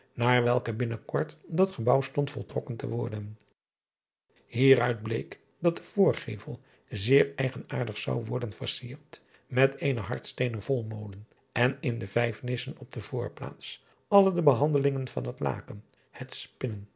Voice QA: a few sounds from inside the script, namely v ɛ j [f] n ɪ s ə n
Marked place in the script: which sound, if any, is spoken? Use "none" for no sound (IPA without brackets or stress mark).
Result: f